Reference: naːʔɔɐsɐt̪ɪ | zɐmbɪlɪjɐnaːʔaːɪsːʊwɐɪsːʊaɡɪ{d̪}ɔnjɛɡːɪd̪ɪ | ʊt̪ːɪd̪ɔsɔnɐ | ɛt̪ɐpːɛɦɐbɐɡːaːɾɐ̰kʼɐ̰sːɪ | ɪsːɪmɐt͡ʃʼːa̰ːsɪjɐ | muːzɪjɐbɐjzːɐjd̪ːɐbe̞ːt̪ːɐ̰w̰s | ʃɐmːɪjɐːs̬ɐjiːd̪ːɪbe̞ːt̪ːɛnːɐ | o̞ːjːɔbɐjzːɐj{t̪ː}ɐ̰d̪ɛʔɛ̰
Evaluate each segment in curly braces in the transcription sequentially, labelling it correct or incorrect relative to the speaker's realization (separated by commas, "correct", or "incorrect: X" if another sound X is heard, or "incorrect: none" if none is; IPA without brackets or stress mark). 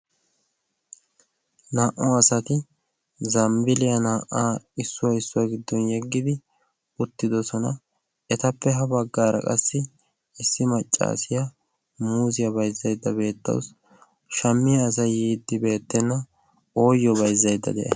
incorrect: d̪ː, incorrect: d̪ː